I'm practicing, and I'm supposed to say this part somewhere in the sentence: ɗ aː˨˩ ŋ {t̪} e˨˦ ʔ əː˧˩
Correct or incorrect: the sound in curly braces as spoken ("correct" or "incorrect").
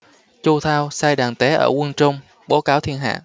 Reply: correct